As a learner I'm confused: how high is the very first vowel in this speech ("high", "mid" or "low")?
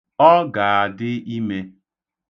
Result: mid